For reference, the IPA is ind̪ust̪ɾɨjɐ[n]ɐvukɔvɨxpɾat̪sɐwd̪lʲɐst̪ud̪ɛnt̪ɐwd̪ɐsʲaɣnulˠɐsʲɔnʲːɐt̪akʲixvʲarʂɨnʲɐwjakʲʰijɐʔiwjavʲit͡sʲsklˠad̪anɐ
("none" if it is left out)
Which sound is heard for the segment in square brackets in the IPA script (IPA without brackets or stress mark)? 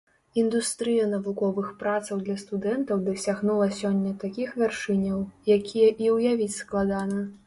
n